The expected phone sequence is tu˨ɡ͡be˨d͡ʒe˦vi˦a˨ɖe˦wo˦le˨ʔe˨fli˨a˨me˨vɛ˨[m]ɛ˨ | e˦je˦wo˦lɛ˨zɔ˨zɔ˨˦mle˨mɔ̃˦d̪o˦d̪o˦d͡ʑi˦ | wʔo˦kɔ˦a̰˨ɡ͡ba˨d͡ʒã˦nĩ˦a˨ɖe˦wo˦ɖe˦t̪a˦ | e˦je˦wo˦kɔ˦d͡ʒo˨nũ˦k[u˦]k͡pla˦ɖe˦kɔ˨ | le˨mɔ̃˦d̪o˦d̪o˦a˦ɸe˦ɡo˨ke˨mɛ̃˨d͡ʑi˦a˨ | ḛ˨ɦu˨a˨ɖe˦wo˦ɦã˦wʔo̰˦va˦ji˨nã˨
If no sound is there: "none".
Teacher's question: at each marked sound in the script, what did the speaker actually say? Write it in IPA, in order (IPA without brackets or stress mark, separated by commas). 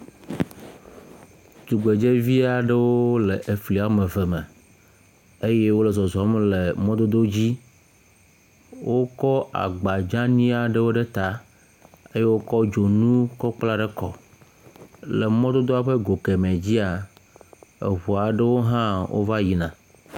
m, ɔ˦